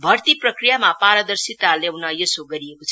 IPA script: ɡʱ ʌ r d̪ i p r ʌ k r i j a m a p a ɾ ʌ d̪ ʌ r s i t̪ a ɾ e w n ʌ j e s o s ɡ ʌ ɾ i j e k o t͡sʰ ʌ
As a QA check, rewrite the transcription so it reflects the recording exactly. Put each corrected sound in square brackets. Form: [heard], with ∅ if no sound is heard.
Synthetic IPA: [bʱ] ʌ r [t̪] i p r ʌ k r i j a m a p a ɾ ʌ d̪ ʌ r s i t̪ a [l] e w n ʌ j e s o [∅] ɡ ʌ ɾ i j e k o t͡sʰ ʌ